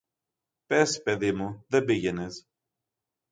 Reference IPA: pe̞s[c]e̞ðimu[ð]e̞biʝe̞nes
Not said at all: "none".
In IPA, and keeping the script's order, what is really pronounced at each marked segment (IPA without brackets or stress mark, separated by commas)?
p, ð